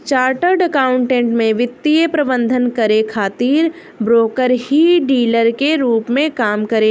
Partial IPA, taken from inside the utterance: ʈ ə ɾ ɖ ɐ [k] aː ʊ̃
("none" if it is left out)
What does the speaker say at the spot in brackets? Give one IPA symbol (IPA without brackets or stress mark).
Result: k